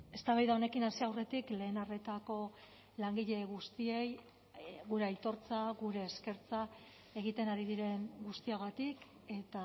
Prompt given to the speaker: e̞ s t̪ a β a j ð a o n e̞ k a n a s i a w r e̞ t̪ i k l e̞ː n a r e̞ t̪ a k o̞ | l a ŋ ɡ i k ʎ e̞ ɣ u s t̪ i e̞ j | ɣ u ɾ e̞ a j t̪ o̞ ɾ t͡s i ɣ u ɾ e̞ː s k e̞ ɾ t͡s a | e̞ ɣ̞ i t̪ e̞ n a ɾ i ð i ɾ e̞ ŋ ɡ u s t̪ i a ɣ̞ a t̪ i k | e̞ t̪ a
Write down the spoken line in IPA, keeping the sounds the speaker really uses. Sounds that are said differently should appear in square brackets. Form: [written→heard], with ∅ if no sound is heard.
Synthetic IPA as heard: e̞ s t̪ a β a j ð a o n e̞ k [a→i] n a s i a w r e̞ t̪ i k l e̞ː n a r e̞ t̪ a k o̞ | l a ŋ ɡ i [k→∅] ʎ e̞ ɣ u s t̪ i e̞ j | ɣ u ɾ e̞ a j t̪ o̞ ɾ t͡s [i→a] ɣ u ɾ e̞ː s k e̞ ɾ t͡s a | e̞ ɣ̞ i t̪ e̞ n a ɾ i ð i ɾ e̞ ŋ ɡ u s t̪ i a ɣ̞ a t̪ i k | e̞ t̪ a